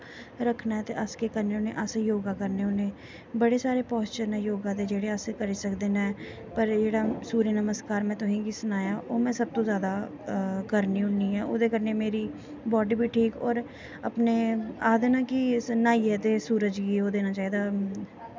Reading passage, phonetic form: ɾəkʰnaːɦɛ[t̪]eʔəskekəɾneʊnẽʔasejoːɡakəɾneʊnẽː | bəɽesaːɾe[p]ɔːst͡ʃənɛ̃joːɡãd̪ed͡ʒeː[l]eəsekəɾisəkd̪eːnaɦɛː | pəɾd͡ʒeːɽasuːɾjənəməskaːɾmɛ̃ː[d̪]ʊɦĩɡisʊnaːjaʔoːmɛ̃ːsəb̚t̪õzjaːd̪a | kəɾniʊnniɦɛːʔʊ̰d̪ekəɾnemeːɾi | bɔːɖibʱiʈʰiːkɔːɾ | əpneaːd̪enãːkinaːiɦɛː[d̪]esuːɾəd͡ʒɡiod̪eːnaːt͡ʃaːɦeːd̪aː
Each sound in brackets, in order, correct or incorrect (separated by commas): correct, correct, incorrect, incorrect, incorrect